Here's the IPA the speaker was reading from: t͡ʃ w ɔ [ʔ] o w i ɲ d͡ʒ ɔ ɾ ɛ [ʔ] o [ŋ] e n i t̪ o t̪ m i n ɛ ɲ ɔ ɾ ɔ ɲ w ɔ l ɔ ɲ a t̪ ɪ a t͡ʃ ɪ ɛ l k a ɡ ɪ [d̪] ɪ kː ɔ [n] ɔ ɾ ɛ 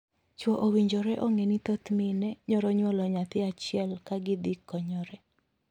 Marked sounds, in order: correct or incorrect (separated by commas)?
correct, correct, correct, correct, incorrect